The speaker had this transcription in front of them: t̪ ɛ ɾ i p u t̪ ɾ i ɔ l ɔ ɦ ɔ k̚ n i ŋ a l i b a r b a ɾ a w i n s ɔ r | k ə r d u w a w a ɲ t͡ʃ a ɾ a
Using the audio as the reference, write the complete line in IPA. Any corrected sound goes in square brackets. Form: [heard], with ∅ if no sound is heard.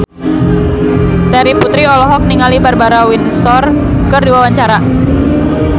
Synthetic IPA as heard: t̪ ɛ ɾ i p u t̪ ɾ i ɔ l ɔ ɦ ɔ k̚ n i ŋ a l i b a r b a ɾ a w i n s ɔ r | k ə r d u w a w a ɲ t͡ʃ a ɾ a